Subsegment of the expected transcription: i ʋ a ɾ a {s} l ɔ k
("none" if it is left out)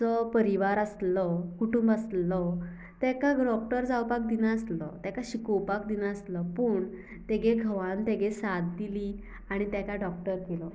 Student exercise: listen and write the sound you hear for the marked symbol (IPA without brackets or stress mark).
s